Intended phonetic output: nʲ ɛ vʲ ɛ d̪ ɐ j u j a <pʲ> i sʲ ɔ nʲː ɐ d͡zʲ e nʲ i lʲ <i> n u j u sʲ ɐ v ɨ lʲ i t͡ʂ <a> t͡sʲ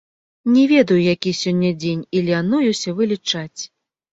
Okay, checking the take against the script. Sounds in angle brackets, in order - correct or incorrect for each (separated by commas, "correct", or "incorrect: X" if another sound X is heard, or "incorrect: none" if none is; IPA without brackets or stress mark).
incorrect: kʲ, incorrect: a, correct